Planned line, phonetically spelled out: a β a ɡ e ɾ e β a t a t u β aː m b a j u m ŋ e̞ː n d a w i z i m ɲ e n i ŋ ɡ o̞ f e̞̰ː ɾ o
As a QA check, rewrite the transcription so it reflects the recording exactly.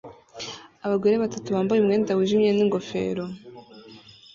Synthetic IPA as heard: a β a ɡ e ɾ e β a t a t u β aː m b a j u m ŋ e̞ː n d a w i ʒ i m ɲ e n i ŋ ɡ o̞ f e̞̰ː ɾ o

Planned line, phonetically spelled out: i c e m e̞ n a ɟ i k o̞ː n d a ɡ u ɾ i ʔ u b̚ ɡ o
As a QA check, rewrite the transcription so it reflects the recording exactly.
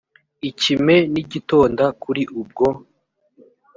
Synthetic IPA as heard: i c i m e̞ n i ɟ i t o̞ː n d a k u ɾ i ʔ u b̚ ɡ o

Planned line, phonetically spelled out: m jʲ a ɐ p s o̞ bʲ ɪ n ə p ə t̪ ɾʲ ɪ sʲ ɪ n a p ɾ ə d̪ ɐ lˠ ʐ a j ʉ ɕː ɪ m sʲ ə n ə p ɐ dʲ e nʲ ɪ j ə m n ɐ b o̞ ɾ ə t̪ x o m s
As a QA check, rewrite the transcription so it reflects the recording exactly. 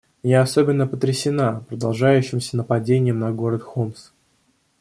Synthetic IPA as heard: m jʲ a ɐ s o̞ bʲ ɪ nː ə p ə t̪ ɾʲ ɪ sʲ ɪ n a p ɾ ə d̪ ɐ lˠ ʐ a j ʉ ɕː ɪ m sʲ ə n ə p ɐ dʲ e nʲ ɪ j ə m n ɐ ɡ o̞ ɾ ə t̪ x o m s

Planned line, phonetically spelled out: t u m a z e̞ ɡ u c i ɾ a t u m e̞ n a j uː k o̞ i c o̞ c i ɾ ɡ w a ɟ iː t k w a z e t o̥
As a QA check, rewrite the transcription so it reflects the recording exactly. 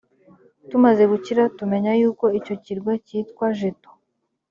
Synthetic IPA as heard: t u m a z e̞ ɡ u c i ɾ a t u m e̞ ɲ a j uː k o̞ i c o̞ c i ɾ ɡ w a c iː t k w a ʒ e t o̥

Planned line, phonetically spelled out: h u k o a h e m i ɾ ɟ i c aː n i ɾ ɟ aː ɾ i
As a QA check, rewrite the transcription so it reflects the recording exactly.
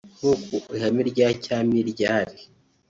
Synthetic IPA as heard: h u k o i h a m i ɾ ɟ a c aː m i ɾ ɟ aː ɾ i

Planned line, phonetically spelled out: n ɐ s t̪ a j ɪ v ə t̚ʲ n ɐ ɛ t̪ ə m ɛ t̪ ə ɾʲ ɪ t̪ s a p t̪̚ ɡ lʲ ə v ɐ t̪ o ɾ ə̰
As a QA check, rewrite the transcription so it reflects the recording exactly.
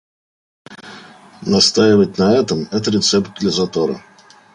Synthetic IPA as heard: n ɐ s t̪ a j ɪ v ə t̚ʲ n ɐ ɛ t̪ ə m ɛ t̪ ə ɾʲ ɪ t̪ s ɛ p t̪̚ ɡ lʲ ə z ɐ t̪ o ɾ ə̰

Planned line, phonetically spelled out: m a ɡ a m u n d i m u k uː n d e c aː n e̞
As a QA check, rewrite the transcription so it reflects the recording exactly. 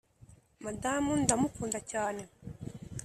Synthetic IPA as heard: m a d a m u n d a m u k uː n d a c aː n e̞

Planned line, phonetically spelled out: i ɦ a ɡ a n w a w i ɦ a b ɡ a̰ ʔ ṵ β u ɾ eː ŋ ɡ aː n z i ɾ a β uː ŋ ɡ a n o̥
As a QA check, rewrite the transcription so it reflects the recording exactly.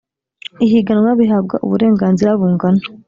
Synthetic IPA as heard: i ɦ i ɡ a n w a β i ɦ a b ɡ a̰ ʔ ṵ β u ɾ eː ŋ ɡ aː n z i ɾ a β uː ŋ ɡ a n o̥

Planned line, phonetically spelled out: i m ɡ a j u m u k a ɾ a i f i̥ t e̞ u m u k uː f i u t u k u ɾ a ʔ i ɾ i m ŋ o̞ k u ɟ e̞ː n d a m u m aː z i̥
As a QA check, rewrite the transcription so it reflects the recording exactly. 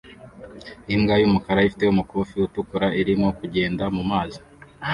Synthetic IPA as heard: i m ɡ a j u m u k a ɾ a i f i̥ t e̞ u m u k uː f i u t u k u ɾ a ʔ i ɾ i m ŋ o̞ k u ɟ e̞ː n d a m u m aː z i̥

